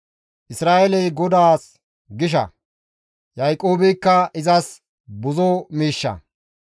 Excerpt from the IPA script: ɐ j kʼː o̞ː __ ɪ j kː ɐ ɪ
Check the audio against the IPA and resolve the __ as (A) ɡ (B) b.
B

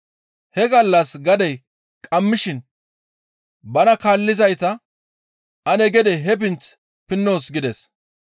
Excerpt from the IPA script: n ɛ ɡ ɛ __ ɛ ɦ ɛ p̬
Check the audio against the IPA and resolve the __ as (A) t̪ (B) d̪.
B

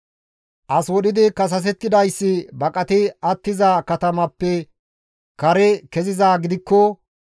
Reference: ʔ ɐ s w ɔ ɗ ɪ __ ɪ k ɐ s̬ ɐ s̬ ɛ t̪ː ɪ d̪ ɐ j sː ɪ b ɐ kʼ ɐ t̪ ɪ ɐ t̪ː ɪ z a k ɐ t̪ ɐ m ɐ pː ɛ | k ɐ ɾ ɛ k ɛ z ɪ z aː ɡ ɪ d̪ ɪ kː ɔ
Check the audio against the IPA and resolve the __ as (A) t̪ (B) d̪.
B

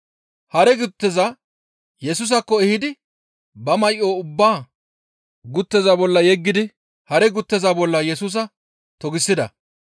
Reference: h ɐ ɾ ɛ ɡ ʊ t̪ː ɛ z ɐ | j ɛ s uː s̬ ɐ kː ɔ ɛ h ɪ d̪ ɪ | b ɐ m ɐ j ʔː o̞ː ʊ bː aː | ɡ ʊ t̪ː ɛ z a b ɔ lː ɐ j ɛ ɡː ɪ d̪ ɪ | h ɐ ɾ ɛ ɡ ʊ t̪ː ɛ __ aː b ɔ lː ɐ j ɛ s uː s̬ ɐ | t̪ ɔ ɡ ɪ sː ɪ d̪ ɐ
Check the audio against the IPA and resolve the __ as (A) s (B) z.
B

